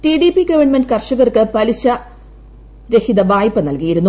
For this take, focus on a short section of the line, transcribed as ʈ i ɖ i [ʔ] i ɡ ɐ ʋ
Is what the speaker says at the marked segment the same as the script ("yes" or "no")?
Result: no